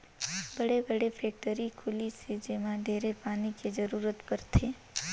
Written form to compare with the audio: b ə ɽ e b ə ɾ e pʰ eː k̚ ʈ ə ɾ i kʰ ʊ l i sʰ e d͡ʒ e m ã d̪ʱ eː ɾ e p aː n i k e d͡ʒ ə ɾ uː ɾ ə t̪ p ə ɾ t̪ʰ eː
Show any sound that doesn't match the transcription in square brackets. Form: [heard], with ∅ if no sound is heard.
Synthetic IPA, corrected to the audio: b ə ɽ e b ə [ɽ] e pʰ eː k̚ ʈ ə ɾ i kʰ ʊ l i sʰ e d͡ʒ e m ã d̪ʱ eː ɾ e p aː n i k e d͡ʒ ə ɾ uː ɾ ə t̪ p ə ɾ t̪ʰ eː